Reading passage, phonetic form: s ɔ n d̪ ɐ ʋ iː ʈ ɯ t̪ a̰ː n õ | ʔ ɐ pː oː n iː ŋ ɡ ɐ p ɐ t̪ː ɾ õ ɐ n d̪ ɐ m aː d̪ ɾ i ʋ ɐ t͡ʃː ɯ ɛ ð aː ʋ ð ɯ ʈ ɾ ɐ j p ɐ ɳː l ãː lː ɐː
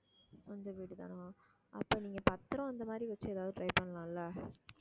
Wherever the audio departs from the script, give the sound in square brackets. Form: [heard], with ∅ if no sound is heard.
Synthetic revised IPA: s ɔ n d̪ ɐ ʋ iː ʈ ɯ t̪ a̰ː n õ | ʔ ɐ pː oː n iː ŋ ɡ ɐ p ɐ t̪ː ɾ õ ɐ n d̪ ɐ m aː d̪ ɾ i ʋ ɐ t͡ʃː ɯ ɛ ð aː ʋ ð ɯ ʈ ɾ ɐ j p ɐ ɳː l ãː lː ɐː